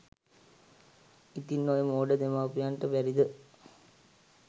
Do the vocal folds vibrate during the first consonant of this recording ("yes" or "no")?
no